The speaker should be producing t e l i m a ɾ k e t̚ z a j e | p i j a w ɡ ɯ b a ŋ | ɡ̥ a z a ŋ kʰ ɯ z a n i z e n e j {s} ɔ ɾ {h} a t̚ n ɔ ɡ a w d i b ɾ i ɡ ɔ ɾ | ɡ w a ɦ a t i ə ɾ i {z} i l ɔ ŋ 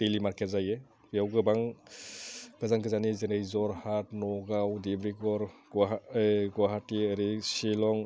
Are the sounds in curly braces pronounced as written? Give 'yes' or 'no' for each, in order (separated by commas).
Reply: no, yes, no